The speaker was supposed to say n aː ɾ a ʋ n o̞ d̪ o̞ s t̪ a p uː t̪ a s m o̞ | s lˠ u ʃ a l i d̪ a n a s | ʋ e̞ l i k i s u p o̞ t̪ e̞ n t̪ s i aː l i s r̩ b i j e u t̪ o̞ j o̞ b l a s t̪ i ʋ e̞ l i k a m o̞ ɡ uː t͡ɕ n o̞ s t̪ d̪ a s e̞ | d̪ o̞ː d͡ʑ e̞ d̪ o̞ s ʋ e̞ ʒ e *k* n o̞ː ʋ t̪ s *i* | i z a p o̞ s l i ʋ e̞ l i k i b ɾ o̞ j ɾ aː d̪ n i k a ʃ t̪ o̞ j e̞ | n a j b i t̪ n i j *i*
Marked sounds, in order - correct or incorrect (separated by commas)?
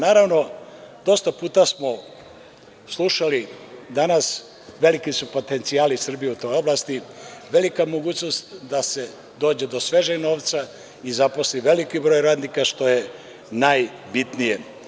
incorrect, incorrect, incorrect